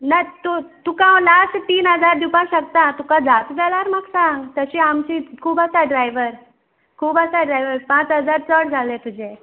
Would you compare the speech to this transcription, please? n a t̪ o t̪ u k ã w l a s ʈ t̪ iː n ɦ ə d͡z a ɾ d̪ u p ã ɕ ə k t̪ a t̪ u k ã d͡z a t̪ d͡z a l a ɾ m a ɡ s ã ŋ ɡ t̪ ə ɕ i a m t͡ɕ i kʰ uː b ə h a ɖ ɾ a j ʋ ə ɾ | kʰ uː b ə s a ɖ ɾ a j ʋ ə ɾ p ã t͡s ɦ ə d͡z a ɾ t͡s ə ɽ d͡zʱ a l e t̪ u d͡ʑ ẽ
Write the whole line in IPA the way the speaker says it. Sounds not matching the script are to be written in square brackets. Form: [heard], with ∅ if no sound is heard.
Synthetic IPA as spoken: n a t̪ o t̪ u k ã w l a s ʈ t̪ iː n ɦ ə d͡z a ɾ d̪ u p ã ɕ ə k t̪ a t̪ u k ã d͡z a t̪ d͡z a l a ɾ m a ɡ s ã ŋ ɡ t̪ ə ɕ i a m t͡ɕ i kʰ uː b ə [s] a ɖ ɾ a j ʋ ə ɾ | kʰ uː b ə s a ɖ ɾ a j ʋ ə ɾ p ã t͡s ɦ ə d͡z a ɾ t͡s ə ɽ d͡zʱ a l e t̪ u d͡ʑ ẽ